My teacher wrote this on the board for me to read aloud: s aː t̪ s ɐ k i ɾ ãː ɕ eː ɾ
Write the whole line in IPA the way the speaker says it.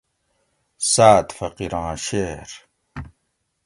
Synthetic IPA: s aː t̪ f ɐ q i ɾ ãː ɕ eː ɾ

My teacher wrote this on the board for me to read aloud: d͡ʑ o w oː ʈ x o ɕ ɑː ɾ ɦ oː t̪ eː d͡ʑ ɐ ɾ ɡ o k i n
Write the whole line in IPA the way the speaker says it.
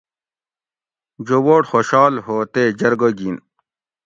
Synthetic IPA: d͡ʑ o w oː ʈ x o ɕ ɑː l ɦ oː t̪ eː d͡ʑ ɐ ɾ ɡ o ɡ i n

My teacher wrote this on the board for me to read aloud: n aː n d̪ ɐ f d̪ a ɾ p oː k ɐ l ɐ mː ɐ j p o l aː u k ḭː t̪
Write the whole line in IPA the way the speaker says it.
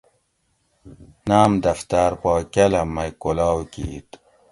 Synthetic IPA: n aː m d̪ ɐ f t̪ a ɾ p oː k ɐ l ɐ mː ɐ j k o l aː w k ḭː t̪

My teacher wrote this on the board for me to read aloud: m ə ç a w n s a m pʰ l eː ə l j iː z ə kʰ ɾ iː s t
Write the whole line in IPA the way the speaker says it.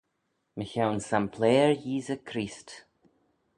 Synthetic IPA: m ə ç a w n s a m pʰ l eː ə ɹ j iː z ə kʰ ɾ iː s t

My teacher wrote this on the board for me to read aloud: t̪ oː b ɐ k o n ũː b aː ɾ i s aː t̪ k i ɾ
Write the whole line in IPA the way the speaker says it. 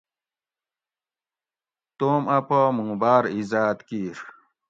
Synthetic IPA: t̪ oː m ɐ p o m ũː b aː ɾ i z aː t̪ k i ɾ

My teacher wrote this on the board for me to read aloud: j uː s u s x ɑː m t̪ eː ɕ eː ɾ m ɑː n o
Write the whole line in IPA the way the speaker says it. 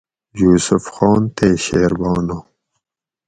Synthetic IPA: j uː s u f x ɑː n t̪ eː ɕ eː ɾ b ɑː n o

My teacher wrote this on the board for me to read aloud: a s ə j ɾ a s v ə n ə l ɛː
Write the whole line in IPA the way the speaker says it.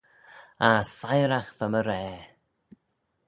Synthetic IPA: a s a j ɾ a x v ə m ə ɾ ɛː

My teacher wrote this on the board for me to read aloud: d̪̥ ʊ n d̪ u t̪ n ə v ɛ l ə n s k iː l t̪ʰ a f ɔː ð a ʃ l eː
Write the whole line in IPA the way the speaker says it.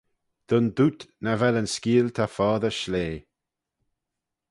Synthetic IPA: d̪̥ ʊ n d̪ u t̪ n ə v ɛ l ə n s k iː l t̪ʰ a f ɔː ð ə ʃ l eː

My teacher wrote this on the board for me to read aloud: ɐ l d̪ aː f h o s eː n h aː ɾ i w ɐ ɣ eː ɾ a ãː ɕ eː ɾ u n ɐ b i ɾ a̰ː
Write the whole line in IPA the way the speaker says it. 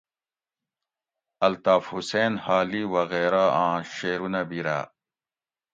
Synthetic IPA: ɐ l t̪ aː f h u s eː n h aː l i w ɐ ɣ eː ɾ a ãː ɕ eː ɾ u n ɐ b i ɾ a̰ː

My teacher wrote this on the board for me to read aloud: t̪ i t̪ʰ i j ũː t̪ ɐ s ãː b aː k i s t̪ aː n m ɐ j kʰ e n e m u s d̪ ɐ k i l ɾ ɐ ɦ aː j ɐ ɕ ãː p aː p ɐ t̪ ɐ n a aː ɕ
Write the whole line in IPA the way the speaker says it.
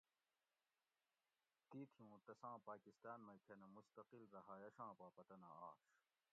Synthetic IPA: t̪ i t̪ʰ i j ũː t̪ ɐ s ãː p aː k i s t̪ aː n m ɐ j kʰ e n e m u s t̪ ɐ q i l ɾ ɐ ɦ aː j ɐ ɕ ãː p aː p ɐ t̪ ɐ n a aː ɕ

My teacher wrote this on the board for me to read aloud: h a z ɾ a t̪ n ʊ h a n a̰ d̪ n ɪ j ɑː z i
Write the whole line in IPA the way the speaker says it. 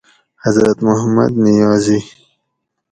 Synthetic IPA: h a z ɾ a t̪ m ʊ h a m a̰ d̪ n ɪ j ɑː z i

